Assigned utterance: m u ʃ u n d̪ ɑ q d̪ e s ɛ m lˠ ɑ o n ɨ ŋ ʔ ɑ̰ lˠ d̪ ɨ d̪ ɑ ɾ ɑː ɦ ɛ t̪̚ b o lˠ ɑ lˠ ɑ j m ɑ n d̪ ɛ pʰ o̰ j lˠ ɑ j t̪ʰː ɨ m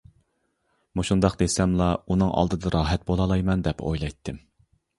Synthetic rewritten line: m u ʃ u n d̪ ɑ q d̪ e s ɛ m lˠ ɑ u n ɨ ŋ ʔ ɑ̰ lˠ d̪ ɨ d̪ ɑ ɾ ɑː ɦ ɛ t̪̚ b o lˠ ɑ lˠ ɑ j m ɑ n d̪ ɛ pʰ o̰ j lˠ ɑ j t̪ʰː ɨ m